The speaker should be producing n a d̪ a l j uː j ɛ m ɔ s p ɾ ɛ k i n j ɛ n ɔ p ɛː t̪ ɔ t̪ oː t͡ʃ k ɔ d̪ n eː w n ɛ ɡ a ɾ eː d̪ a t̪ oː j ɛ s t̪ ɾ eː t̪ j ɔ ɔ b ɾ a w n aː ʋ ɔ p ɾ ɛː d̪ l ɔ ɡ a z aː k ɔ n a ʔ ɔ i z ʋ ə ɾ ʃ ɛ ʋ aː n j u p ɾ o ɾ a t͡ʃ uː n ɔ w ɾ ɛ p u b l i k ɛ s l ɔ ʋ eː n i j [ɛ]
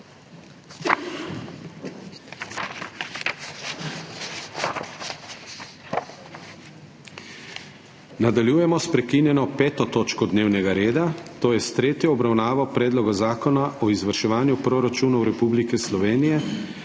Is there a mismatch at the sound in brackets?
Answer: no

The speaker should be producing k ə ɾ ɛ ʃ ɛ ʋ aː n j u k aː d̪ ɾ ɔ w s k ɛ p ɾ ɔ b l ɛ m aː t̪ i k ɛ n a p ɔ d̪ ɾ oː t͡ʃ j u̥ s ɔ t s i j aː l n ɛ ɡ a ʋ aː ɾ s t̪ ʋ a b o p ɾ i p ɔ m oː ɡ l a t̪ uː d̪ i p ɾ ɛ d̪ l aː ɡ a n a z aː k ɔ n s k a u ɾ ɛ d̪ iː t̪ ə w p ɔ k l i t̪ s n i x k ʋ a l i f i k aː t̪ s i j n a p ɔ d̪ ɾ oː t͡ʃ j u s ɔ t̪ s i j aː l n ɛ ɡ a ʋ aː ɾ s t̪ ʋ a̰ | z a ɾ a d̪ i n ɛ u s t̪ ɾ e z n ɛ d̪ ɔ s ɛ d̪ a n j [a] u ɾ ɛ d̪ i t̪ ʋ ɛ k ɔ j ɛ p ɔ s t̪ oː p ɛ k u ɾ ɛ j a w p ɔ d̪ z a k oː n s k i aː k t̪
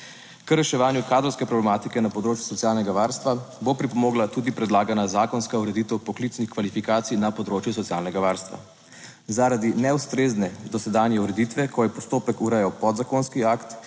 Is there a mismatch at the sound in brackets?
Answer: yes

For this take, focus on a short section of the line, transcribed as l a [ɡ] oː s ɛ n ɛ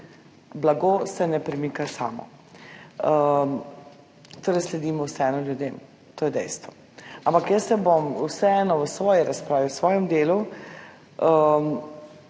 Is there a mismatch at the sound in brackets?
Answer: no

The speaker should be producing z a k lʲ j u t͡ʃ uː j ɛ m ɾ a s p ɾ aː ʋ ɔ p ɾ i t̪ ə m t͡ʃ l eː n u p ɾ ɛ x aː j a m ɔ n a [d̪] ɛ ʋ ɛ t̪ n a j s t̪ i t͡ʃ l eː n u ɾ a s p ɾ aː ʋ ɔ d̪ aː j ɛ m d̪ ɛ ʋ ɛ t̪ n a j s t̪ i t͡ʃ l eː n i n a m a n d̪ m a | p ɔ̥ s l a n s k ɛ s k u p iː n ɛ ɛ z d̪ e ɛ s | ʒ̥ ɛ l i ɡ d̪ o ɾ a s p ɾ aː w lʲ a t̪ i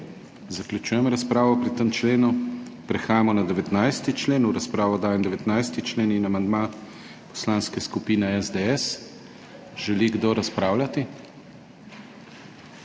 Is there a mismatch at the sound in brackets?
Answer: no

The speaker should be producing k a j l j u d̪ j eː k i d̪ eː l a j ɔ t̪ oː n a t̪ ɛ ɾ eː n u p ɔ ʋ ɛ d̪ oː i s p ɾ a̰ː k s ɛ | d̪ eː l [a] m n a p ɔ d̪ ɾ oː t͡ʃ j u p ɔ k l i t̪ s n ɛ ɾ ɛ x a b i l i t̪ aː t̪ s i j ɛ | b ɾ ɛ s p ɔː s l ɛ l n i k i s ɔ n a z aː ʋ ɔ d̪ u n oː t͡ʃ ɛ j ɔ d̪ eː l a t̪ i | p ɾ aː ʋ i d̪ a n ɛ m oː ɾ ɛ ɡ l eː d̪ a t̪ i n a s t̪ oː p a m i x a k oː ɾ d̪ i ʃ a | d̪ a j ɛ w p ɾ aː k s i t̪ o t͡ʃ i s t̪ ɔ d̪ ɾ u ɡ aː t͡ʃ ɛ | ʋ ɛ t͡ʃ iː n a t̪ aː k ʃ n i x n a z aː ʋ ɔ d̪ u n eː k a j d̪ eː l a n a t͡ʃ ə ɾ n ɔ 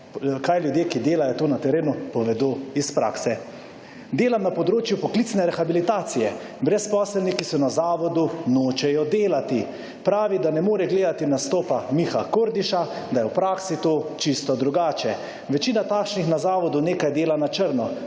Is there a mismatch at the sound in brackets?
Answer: no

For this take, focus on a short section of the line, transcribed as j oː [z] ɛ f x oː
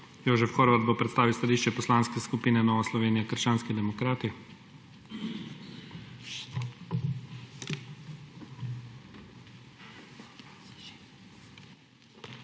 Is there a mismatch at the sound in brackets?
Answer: yes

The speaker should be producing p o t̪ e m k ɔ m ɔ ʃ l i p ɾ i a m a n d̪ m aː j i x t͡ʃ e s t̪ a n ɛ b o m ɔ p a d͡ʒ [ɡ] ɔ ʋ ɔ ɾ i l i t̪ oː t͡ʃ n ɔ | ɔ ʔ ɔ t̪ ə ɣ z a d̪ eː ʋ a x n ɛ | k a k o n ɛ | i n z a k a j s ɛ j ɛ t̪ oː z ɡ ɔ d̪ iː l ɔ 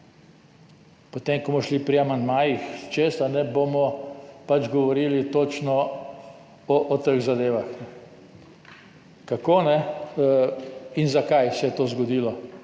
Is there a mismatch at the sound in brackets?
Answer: no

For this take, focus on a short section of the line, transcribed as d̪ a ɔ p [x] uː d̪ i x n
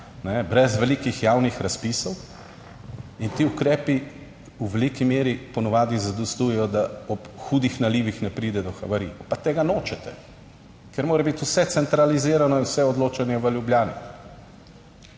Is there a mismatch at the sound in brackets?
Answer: no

